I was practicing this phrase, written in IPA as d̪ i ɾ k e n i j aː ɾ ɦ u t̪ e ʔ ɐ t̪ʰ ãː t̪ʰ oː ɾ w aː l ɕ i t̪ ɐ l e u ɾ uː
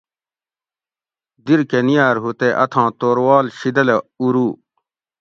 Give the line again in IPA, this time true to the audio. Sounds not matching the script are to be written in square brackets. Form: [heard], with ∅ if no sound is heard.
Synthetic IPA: d̪ i ɾ k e n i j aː ɾ ɦ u t̪ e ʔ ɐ t̪ʰ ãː [t̪] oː ɾ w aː l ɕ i [d̪] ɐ l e u ɾ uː